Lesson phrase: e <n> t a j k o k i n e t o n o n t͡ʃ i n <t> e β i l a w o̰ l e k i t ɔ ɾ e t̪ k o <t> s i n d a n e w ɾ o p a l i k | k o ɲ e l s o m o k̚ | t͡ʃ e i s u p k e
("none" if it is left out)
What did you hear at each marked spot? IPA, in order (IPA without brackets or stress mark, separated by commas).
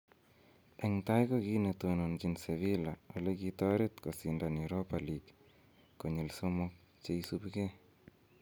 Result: ŋ, s, none